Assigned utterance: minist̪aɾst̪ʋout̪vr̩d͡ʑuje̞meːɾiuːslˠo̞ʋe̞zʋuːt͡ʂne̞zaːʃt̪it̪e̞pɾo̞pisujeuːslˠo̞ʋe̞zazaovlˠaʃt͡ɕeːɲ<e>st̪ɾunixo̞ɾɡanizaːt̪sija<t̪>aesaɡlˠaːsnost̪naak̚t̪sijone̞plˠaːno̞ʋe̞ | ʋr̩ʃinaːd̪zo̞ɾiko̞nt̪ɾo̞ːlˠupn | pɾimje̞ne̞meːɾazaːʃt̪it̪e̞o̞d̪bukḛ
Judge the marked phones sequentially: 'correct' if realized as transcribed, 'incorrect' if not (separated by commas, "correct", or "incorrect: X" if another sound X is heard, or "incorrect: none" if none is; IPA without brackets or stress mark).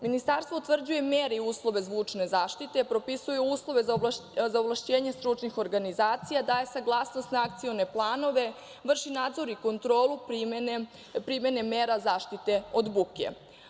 correct, incorrect: d̪